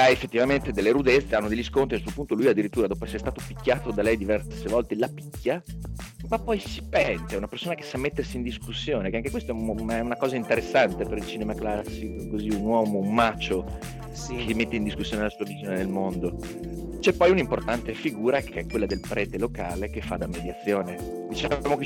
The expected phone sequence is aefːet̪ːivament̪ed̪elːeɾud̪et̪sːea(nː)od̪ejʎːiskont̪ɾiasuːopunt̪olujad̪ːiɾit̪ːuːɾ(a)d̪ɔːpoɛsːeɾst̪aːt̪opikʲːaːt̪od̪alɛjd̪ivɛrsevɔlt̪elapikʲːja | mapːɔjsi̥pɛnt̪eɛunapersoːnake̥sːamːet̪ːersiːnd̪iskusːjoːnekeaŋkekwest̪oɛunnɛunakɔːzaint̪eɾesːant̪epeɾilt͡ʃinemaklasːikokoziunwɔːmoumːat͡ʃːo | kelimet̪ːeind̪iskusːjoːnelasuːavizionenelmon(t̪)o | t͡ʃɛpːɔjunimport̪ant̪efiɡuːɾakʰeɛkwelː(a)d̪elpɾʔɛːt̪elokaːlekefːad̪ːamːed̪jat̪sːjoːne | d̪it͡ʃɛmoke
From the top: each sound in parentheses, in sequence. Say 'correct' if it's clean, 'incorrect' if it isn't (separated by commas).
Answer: correct, correct, incorrect, correct